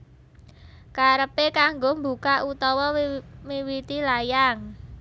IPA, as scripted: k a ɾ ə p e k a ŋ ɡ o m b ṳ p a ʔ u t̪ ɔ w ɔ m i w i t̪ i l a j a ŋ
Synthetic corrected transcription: k a ɾ ə p e k a ŋ ɡ o m b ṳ k a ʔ u t̪ ɔ w ɔ m i w i t̪ i l a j a ŋ